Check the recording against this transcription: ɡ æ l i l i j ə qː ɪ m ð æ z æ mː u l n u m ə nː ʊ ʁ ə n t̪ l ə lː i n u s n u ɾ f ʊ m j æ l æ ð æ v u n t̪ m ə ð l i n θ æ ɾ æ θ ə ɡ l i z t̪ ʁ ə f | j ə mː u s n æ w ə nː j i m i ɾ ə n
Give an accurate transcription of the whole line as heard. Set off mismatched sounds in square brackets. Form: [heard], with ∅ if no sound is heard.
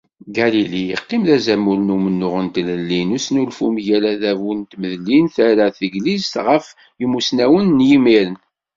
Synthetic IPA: ɡ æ l i l i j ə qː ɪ m ð æ z æ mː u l n u m ə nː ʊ ʁ ə n t̪ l ə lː i n u s n u [l] f [u] m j æ l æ ð æ v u n t̪ m ə ð l i n θ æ ɾ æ θ ə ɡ l i z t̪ ʁ ə f | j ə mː u s n æ w ə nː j i m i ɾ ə n